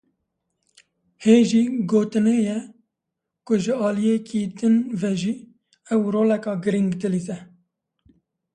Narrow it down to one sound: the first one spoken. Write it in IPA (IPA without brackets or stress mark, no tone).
h